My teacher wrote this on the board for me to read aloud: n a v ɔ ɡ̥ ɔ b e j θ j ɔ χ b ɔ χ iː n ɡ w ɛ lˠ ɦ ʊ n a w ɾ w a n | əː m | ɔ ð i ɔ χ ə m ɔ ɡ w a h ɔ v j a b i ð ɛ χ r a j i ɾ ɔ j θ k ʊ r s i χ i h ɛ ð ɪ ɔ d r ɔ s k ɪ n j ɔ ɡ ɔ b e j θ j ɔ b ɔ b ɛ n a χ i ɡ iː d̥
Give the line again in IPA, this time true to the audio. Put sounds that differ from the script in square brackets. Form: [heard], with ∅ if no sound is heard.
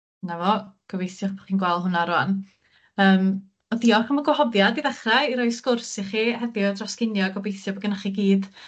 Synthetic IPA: n a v ɔ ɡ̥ ɔ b e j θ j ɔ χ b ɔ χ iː n ɡ w ɛ lˠ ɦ ʊ n a [∅] ɾ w a n | əː m | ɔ ð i ɔ χ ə m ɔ ɡ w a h ɔ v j a [d] i ð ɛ χ r a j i ɾ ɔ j [s] k ʊ r s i χ i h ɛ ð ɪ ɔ d r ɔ s k ɪ n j ɔ ɡ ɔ b e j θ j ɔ b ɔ [ɡ] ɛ n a χ i ɡ iː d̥